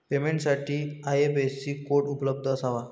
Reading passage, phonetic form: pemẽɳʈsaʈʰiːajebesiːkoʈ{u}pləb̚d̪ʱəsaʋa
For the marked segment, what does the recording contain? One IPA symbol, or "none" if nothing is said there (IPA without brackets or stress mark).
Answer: u